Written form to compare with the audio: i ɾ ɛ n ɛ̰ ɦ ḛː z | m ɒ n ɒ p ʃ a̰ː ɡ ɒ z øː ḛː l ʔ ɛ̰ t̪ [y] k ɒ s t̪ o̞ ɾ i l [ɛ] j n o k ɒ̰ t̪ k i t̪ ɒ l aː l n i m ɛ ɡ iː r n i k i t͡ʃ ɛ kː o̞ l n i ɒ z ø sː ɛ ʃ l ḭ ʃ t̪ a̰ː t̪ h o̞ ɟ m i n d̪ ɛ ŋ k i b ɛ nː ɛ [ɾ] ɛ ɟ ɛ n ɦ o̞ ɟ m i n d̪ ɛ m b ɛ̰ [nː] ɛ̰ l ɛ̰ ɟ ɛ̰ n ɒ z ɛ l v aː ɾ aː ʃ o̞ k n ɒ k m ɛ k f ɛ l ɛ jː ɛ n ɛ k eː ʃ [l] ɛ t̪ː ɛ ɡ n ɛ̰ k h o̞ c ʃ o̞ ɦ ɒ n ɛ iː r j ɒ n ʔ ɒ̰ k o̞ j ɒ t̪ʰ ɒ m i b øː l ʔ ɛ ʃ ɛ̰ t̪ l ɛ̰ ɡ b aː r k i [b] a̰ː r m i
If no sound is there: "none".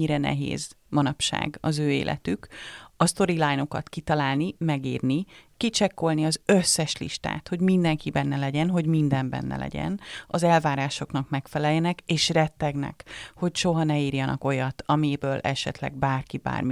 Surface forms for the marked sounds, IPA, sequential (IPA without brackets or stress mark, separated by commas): y, a, l, nː, r, b